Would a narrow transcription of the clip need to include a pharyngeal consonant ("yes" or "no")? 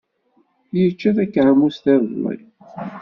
yes